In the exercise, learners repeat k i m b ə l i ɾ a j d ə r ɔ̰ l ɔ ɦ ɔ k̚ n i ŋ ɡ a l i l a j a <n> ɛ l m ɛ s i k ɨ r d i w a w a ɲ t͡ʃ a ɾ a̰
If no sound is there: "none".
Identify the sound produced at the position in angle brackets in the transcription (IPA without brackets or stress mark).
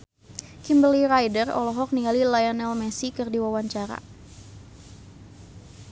n